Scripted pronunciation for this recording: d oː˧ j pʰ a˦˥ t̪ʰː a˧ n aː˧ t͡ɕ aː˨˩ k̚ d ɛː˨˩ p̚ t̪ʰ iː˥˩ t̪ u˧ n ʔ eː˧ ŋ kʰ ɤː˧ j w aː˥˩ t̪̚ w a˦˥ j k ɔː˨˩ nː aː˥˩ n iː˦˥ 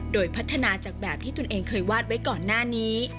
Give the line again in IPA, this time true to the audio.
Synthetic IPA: d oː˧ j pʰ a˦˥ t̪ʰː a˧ n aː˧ t͡ɕ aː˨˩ k̚ b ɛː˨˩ p̚ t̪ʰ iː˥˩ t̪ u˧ n ʔ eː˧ ŋ kʰ ɤː˧ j w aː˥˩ t̪̚ w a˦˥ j k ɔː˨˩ nː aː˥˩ n iː˦˥

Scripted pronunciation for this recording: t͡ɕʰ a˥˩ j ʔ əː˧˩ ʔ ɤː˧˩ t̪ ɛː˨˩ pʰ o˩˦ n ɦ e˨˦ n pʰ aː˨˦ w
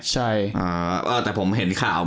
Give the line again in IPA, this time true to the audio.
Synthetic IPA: t͡ɕʰ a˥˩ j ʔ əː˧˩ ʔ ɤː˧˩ t̪ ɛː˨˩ pʰ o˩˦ m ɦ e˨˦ n kʰ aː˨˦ w

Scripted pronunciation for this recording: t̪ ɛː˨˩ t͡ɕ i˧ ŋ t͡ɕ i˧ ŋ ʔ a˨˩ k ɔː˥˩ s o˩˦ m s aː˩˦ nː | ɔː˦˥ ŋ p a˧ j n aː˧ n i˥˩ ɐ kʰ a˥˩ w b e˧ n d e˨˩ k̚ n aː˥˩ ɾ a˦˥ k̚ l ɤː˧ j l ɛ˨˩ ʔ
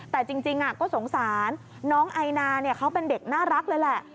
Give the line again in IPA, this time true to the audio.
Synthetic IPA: t̪ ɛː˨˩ t͡ɕ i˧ ŋ t͡ɕ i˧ ŋ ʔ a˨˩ k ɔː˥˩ s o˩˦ ŋ s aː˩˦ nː | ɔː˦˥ ŋ ʔ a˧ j n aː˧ n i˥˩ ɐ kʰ a˦˥ w p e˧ n d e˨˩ k̚ n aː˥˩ ɾ a˦˥ k̚ l ɤː˧ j l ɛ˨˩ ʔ

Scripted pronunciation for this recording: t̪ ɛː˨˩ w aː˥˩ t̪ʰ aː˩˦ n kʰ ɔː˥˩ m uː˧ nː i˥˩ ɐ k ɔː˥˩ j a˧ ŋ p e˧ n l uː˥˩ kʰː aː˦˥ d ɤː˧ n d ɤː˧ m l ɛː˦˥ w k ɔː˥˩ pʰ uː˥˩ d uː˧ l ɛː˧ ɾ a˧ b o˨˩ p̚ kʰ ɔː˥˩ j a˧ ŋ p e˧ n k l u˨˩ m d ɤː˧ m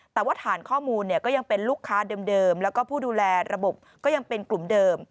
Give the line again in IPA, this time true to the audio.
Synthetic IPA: t̪ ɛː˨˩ w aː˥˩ t̪ʰ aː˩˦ n kʰ ɔː˥˩ m uː˧ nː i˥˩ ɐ k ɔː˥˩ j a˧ ŋ p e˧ n l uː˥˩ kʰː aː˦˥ d ɤː˧ m d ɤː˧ m l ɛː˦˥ w k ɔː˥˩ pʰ uː˥˩ d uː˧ l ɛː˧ ɾ a˧ b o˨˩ p̚ k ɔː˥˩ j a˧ ŋ p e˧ n k l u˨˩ m d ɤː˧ m

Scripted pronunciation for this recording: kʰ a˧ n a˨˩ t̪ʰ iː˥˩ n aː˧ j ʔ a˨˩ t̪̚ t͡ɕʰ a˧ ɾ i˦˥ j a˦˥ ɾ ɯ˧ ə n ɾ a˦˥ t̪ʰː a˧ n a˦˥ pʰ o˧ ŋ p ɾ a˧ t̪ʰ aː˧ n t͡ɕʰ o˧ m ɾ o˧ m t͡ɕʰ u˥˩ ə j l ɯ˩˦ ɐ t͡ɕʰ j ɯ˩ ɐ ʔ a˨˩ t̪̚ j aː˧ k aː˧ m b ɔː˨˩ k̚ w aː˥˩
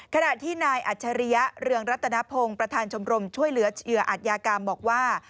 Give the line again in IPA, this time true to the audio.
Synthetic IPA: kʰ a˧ n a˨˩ t̪ʰ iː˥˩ n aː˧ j ʔ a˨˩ t̪̚ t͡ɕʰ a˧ ɾ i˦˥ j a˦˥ ɾ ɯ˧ ə ŋ ɾ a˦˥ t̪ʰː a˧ n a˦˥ pʰ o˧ ŋ p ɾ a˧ t̪ʰ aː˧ n t͡ɕʰ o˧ m ɾ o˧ m t͡ɕʰ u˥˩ ə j l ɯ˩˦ ɐ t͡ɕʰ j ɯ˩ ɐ ʔ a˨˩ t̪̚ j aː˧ k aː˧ m b ɔː˨˩ k̚ w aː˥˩

